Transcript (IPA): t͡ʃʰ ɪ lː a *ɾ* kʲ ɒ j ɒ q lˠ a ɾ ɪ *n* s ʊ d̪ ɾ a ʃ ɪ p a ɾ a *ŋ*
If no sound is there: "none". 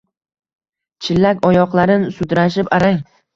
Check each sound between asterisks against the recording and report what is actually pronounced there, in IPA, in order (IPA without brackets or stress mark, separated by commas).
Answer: none, n, ŋ